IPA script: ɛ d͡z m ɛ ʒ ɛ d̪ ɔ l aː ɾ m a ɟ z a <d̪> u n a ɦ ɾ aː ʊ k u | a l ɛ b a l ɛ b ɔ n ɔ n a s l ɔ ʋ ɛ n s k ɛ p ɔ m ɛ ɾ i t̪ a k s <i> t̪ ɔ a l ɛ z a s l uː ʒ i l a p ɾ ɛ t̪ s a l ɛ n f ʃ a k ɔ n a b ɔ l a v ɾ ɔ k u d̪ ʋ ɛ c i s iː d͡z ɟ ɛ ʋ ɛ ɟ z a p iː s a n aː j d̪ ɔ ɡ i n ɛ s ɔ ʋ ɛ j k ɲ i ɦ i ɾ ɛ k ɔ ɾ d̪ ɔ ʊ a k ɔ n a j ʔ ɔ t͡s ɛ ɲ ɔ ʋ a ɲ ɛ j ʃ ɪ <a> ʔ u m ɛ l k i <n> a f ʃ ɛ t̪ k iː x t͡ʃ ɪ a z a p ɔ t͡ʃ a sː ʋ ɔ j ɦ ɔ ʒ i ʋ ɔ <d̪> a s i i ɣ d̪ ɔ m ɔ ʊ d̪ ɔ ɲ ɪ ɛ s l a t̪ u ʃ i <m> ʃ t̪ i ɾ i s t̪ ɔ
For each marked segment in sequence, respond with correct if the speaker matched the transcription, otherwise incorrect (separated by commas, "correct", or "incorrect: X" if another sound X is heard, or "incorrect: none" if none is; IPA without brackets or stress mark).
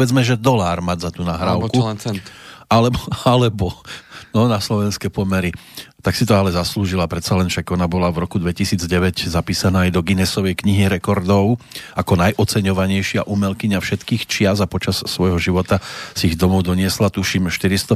incorrect: t̪, correct, correct, incorrect: ɲ, incorrect: t̪, correct